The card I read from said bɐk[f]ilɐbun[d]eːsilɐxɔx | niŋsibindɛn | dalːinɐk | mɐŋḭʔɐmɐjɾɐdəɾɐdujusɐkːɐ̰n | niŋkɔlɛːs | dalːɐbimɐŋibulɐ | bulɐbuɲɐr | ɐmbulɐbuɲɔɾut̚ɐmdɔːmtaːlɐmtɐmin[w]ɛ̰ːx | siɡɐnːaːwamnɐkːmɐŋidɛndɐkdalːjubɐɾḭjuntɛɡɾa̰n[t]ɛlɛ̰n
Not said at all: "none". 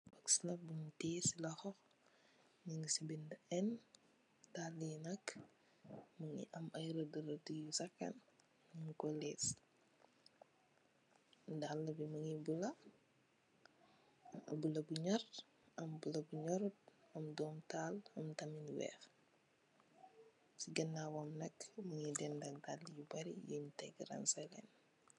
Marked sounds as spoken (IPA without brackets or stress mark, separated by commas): s, t, w, s